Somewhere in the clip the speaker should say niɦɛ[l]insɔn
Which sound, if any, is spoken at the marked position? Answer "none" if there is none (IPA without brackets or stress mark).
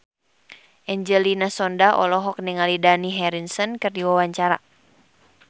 ɾ